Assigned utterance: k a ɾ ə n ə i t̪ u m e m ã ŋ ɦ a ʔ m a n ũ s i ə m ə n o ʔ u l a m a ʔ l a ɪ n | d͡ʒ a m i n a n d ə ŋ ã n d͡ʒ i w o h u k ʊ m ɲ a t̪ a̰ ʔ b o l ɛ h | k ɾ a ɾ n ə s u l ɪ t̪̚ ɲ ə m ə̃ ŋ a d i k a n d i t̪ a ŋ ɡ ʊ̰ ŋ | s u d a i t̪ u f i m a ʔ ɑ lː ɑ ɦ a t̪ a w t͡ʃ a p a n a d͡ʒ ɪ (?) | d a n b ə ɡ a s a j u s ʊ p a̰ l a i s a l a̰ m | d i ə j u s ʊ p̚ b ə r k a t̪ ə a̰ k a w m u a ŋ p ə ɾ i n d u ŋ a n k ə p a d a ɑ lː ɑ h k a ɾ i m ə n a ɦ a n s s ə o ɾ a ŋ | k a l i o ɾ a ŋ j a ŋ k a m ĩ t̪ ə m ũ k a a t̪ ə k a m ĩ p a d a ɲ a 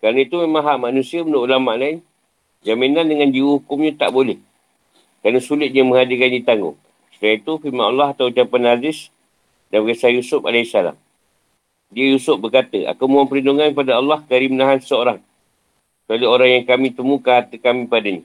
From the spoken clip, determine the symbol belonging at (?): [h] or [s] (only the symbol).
s